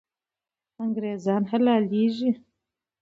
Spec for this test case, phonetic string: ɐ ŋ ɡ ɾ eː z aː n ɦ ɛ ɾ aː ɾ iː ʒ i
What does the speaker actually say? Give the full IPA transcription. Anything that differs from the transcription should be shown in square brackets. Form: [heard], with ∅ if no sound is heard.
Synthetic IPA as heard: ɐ ŋ ɡ ɾ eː z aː n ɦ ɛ [l] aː [l] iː ʒ i